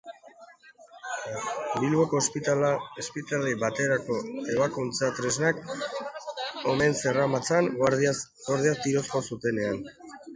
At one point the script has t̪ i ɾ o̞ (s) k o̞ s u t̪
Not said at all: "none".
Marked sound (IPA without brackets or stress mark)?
s